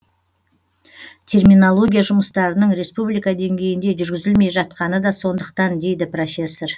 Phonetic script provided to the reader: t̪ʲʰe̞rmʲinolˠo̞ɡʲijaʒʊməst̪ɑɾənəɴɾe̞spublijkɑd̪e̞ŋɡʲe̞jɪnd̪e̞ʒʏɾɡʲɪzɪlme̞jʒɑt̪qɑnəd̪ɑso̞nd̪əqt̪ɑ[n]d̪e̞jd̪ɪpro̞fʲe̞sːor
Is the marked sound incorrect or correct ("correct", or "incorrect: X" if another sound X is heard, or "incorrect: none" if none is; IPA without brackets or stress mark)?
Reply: correct